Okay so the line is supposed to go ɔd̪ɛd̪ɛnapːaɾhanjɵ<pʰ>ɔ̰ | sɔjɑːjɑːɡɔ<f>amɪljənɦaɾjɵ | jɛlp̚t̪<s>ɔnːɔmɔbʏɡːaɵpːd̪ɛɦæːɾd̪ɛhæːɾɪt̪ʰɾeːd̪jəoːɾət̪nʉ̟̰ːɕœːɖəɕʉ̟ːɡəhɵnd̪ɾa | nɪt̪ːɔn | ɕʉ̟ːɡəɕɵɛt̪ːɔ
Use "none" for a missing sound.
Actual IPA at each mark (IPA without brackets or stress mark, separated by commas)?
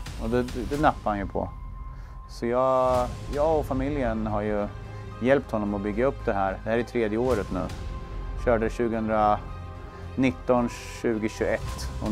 pʰ, f, h